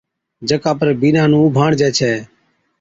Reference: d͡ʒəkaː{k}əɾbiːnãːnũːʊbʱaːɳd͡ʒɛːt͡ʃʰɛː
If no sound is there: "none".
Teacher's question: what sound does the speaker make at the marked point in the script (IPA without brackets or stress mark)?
p